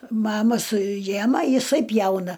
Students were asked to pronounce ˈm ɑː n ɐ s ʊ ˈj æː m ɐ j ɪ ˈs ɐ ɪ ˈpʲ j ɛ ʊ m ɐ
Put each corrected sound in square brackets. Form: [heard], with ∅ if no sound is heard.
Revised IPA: ˈm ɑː [m] ɐ s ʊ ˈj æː m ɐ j ɪ ˈs ɐ ɪ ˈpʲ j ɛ ʊ [n] ɐ